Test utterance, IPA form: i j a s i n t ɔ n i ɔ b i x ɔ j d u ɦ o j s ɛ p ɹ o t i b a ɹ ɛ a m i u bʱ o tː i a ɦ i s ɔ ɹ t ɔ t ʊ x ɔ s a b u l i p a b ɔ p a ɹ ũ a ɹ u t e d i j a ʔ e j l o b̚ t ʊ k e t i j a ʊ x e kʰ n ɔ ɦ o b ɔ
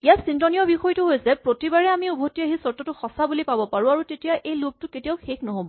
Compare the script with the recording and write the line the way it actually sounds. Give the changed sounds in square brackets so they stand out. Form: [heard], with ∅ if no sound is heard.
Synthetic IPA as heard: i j a s i n t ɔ n i ɔ b i x ɔ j [t] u ɦ o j s ɛ p ɹ o t i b a ɹ ɛ a m i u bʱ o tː i a ɦ i s ɔ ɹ t ɔ t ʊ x ɔ s a b u l i p a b ɔ p a ɹ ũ a ɹ u t e [t] i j a ʔ e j l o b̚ t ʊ k e t i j a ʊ x e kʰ n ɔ ɦ o b ɔ